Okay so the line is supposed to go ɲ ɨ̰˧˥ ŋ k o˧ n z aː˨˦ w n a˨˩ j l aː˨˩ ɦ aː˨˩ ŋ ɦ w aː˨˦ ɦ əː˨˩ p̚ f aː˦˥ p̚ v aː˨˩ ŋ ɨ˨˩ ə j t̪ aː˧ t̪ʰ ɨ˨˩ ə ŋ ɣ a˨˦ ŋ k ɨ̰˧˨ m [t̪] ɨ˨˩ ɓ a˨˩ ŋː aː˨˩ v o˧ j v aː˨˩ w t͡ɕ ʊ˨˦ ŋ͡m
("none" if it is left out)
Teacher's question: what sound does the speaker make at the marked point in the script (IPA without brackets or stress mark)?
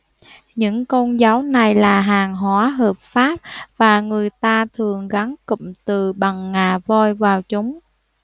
t̪